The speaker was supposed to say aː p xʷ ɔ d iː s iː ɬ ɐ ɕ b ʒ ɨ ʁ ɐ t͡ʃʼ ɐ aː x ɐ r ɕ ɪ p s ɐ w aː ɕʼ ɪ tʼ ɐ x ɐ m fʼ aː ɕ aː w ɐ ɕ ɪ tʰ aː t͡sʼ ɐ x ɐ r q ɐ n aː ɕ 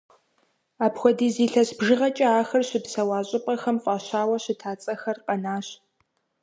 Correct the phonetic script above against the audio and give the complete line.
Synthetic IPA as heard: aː p xʷ ɔ d iː z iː ɬ ɐ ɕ b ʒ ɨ ʁ ɐ t͡ʃʼ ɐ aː x ɐ r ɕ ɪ p s ɐ w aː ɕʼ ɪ pʼ ɐ x ɐ m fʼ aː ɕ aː w ɐ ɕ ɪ tʰ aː t͡sʼ ɐ x ɐ r q ɐ n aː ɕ